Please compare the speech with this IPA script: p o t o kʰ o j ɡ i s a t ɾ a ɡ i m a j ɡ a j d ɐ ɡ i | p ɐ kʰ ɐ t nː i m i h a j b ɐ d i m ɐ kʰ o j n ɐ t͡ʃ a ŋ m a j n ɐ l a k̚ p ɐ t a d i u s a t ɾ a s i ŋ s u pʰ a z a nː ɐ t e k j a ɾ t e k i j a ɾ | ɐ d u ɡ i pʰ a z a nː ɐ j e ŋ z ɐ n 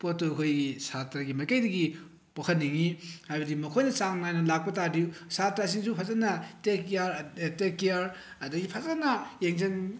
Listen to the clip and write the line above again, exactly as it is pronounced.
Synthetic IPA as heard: p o t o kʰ o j ɡ i s a t ɾ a ɡ i m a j k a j d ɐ ɡ i | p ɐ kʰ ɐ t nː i ŋ i h a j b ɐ d i m ɐ kʰ o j n ɐ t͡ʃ a ŋ n a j n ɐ l a k̚ p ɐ t a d i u s a t ɾ a s i ŋ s u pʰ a z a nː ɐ t e k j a ɾ t e k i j a ɾ | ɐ d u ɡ i pʰ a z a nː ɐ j e ŋ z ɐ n